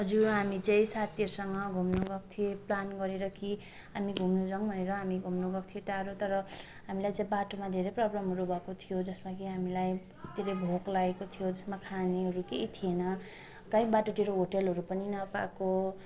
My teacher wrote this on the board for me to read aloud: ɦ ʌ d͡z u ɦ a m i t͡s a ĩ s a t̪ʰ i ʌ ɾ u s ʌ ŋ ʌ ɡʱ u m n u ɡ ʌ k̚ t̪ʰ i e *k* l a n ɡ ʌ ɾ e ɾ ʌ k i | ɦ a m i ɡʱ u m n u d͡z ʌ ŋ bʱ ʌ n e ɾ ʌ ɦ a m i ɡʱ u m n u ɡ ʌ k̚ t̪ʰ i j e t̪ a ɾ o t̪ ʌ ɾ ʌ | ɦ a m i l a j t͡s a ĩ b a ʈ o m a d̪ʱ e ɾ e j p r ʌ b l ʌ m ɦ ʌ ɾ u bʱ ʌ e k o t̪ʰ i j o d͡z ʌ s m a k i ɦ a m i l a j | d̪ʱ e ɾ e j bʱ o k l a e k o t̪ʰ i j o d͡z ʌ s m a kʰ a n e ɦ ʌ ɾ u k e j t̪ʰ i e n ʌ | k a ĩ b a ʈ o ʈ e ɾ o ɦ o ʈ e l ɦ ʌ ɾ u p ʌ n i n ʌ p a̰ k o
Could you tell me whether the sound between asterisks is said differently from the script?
yes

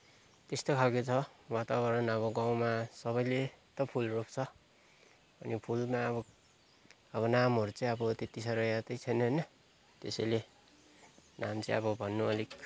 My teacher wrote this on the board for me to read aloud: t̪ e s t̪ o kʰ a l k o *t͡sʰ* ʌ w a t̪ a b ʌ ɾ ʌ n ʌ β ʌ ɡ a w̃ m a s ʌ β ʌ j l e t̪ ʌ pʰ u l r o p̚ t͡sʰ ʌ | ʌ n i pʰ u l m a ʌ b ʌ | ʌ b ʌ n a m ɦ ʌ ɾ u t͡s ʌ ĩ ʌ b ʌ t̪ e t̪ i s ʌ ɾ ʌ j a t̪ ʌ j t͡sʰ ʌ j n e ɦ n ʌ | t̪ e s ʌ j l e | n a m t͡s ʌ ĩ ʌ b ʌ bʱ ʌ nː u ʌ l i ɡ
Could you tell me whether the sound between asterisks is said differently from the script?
no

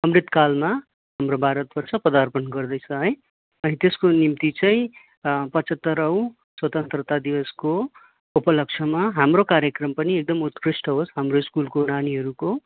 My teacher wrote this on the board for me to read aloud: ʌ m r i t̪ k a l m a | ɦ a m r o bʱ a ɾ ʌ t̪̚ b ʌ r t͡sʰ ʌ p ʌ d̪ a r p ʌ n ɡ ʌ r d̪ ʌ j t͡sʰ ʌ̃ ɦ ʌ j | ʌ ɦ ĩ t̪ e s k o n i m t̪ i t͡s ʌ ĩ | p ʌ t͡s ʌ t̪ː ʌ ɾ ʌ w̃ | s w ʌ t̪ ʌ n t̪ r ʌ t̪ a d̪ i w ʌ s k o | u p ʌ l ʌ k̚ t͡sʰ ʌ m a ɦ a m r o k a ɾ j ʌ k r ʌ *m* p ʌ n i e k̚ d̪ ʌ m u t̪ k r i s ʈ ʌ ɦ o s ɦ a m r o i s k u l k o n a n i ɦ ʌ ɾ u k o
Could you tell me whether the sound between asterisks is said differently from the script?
no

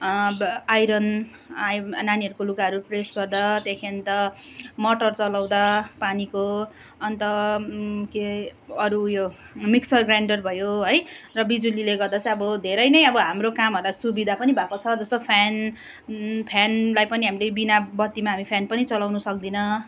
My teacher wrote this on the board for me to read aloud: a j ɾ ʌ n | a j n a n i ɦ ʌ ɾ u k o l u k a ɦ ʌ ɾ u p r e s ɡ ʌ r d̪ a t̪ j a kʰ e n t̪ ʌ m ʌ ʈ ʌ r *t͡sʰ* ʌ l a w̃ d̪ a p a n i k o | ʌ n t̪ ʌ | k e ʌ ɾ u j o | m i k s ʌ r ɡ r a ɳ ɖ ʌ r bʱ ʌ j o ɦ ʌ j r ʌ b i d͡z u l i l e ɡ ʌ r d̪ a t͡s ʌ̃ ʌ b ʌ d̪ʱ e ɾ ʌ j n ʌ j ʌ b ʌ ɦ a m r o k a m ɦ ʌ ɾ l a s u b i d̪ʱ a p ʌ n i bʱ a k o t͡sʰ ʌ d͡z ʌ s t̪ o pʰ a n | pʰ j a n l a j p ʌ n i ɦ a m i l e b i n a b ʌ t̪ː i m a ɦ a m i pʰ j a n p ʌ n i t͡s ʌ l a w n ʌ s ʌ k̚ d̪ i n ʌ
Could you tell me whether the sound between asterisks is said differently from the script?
yes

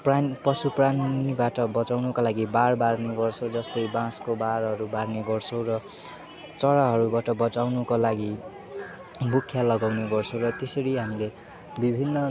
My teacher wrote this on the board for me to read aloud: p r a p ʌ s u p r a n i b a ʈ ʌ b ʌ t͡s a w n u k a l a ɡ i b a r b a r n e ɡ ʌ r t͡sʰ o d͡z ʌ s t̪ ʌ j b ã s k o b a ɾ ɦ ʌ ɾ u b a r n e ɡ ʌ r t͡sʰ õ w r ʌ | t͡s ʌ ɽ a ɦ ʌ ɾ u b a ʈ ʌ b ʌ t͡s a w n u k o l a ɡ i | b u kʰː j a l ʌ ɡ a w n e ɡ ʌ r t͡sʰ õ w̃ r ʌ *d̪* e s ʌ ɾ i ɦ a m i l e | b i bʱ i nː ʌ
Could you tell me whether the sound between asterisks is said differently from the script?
yes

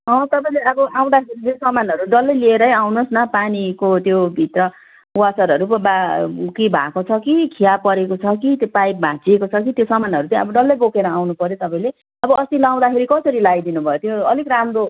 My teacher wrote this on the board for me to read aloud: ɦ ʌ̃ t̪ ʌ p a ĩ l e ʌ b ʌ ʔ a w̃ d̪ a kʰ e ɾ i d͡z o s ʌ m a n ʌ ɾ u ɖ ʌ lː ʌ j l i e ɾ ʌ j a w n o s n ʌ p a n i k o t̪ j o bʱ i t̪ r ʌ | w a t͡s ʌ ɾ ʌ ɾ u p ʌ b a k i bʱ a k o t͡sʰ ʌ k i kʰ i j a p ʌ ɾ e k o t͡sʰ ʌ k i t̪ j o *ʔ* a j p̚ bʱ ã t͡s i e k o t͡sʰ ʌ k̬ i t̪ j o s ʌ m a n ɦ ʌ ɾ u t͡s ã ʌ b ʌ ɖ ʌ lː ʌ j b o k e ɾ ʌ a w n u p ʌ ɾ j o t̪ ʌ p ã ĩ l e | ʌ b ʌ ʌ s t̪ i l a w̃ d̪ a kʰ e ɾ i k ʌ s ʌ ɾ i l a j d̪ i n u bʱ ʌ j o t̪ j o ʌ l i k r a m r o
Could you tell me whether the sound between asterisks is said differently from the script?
yes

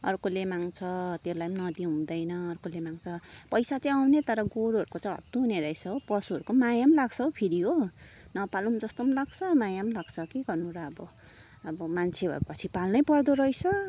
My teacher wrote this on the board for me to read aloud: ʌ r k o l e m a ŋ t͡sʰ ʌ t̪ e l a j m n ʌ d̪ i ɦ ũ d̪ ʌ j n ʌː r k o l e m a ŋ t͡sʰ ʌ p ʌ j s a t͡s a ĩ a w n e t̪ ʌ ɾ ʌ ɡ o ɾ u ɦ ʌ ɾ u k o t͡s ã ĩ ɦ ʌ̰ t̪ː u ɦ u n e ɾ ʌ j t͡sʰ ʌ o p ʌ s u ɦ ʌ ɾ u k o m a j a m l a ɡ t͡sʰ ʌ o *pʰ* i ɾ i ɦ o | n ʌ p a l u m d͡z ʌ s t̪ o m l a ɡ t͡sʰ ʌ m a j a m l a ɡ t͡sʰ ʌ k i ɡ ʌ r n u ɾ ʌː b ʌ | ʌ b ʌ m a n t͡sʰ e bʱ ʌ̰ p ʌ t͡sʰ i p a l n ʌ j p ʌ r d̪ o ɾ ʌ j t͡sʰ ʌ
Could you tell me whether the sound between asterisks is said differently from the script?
no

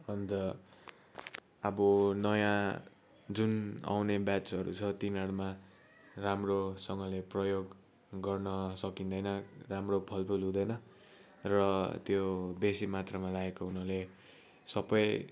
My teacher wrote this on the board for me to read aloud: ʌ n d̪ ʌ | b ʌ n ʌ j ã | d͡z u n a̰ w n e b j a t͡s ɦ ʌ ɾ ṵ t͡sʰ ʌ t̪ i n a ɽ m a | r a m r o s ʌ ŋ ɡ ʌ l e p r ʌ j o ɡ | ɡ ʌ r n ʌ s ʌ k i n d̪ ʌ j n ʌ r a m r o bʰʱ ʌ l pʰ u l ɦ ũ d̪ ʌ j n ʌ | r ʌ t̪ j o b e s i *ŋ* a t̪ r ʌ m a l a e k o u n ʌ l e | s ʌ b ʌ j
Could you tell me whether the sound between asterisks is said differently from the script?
yes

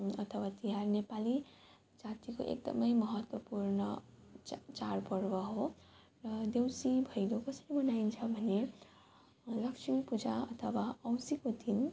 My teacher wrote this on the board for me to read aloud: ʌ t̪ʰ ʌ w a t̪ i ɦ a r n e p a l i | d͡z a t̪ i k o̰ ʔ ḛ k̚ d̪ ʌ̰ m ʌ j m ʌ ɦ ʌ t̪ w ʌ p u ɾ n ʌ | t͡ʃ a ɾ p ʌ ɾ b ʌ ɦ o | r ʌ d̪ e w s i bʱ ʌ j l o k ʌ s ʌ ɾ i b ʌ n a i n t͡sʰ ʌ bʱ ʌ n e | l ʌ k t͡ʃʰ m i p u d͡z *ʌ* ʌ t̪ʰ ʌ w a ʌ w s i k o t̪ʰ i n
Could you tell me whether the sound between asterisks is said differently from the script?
yes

